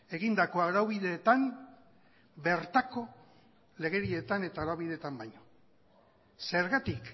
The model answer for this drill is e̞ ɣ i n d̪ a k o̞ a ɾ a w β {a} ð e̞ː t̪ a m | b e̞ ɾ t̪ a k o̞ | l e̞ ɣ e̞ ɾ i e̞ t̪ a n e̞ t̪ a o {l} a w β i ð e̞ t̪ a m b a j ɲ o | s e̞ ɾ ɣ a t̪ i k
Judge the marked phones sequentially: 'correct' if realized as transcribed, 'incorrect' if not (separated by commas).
incorrect, incorrect